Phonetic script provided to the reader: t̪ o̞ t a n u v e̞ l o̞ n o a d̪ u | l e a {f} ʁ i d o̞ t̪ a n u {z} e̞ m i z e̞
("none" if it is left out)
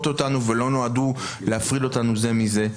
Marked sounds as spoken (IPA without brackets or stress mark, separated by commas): f, z